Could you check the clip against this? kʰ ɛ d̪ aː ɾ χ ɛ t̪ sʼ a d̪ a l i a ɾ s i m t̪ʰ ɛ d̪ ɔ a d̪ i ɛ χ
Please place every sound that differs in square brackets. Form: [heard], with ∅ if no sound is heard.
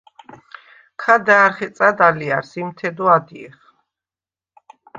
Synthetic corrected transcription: kʰ [a] d̪ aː ɾ χ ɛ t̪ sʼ a d̪ a l i a ɾ s i m t̪ʰ ɛ d̪ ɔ a d̪ i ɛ χ